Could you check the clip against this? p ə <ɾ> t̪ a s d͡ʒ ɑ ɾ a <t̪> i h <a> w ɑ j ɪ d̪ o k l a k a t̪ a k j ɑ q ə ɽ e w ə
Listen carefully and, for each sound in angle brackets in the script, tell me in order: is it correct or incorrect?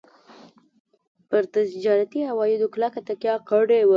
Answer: correct, correct, correct

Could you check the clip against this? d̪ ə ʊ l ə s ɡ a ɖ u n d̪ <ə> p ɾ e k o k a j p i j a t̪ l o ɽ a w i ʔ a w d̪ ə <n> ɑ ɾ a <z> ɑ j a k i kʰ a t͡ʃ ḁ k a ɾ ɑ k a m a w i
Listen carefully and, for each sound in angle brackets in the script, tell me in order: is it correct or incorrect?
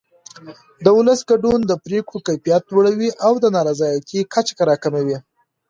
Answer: correct, correct, correct

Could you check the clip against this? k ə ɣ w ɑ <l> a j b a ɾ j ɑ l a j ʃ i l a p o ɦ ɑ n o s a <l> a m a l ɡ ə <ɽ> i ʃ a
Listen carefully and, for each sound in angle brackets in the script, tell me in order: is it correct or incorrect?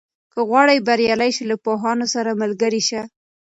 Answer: incorrect: ɽ, incorrect: ɾ, incorrect: ɾ

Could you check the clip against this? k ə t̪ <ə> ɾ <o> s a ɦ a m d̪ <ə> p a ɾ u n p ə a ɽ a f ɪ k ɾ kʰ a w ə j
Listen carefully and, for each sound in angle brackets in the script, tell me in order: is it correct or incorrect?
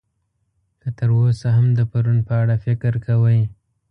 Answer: correct, correct, correct

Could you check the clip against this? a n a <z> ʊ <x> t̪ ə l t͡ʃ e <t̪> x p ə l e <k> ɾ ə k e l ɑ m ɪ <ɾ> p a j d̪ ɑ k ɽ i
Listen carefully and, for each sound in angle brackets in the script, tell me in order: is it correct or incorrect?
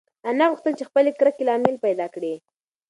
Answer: incorrect: ɣ, correct, incorrect: none, correct, incorrect: l

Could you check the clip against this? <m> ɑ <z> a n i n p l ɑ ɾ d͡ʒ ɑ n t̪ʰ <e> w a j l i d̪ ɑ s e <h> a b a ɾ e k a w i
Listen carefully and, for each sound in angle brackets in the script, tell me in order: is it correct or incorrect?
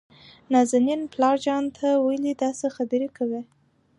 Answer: incorrect: n, correct, incorrect: a, incorrect: x

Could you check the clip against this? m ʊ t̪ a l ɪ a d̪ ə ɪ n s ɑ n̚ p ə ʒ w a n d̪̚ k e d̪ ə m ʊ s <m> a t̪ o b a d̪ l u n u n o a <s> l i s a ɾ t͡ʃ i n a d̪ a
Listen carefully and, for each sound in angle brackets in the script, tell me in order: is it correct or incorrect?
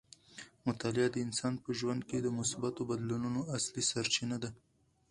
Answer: incorrect: b, correct

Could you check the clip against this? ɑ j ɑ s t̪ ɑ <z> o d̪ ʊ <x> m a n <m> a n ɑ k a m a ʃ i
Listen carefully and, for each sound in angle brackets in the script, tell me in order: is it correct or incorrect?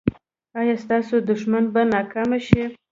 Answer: incorrect: s, incorrect: ʃ, incorrect: b

